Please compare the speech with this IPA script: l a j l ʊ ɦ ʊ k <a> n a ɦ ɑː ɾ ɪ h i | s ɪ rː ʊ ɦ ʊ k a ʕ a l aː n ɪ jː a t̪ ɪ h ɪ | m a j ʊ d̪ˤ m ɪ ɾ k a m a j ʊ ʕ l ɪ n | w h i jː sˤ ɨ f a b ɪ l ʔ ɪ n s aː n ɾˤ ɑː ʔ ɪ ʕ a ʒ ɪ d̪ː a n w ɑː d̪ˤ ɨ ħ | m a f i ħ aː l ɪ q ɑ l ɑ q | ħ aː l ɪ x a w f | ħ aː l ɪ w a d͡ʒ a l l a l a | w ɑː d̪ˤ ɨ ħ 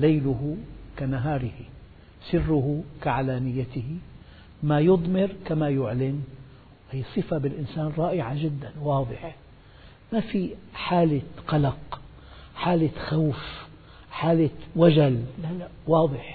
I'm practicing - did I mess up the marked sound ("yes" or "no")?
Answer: no